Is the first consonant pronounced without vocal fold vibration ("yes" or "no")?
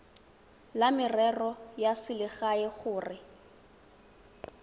no